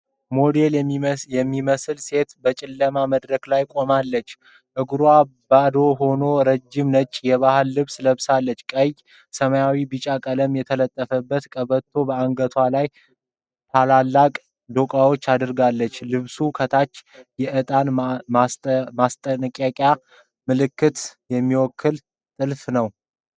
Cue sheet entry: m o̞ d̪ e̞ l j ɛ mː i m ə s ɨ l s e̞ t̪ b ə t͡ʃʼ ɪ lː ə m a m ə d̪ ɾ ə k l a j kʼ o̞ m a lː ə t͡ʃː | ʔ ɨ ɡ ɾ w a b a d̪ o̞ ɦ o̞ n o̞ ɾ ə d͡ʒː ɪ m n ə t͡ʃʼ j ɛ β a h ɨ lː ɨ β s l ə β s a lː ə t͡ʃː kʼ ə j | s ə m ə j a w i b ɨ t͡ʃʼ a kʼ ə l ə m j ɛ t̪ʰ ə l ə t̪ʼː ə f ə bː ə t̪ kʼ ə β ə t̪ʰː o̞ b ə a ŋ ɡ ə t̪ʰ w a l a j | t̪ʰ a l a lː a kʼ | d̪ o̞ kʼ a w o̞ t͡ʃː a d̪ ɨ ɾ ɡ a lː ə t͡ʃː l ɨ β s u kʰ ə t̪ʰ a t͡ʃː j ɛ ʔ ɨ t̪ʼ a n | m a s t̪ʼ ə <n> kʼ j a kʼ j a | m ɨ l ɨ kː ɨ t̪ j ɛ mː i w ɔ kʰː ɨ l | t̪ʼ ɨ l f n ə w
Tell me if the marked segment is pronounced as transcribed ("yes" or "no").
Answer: yes